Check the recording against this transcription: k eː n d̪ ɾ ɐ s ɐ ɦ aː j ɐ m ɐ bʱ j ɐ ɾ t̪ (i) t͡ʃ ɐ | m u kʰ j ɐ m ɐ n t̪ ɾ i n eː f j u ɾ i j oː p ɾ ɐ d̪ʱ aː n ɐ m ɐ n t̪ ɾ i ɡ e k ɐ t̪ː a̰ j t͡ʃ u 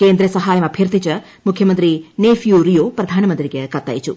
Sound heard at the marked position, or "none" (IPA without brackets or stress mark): i